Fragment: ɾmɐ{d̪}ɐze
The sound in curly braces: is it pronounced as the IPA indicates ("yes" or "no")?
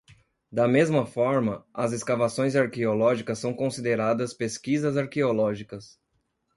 no